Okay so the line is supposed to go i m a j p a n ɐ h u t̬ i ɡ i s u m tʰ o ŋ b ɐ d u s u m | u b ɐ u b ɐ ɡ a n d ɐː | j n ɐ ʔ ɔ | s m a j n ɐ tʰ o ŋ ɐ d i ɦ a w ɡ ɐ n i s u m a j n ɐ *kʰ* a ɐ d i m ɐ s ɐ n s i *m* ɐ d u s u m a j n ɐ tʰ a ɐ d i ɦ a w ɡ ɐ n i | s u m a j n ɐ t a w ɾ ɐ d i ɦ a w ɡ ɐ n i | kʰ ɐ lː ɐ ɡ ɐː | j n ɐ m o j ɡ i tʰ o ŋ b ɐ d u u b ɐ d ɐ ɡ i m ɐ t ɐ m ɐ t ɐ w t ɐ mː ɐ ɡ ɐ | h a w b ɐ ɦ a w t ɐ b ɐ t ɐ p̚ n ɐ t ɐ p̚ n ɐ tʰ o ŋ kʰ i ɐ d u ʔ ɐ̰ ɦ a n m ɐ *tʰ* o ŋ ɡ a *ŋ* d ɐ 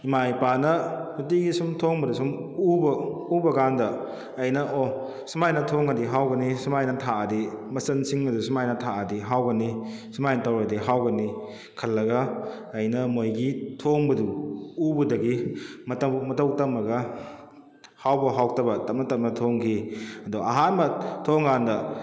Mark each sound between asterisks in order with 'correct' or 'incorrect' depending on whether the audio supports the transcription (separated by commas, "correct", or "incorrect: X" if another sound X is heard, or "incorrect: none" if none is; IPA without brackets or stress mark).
incorrect: tʰ, incorrect: ŋ, correct, incorrect: n